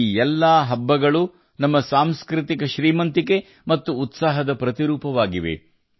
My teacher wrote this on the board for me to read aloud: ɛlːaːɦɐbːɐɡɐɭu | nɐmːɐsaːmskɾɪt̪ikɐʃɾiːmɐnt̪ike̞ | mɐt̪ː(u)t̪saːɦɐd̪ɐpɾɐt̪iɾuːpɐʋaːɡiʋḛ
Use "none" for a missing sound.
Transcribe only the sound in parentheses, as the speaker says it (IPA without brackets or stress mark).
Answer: uː